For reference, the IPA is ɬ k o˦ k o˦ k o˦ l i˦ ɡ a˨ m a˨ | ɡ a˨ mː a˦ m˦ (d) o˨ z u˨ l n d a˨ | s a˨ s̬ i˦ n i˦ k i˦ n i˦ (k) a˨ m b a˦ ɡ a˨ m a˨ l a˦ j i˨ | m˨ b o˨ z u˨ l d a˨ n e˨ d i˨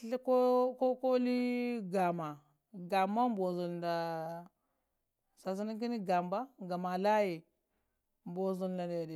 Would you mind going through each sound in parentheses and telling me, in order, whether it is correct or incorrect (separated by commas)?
incorrect, incorrect